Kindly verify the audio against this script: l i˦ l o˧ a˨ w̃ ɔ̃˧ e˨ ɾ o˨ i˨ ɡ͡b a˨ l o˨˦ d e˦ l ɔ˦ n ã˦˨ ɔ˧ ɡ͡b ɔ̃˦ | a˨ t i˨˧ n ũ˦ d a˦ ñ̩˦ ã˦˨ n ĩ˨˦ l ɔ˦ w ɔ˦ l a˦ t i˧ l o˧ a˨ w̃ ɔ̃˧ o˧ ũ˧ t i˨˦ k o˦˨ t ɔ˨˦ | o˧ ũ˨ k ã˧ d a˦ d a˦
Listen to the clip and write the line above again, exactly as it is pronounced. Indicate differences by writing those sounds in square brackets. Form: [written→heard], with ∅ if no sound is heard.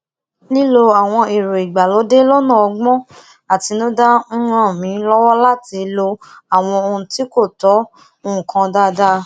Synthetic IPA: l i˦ l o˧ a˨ w̃ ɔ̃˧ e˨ ɾ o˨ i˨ ɡ͡b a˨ l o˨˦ d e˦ l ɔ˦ n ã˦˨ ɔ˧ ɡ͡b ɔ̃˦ | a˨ t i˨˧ n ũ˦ d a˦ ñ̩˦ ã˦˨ [n→m] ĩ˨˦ l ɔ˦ w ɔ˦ l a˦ t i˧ l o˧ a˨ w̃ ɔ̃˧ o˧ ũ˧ t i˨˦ k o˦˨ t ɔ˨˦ | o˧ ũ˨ k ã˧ d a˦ d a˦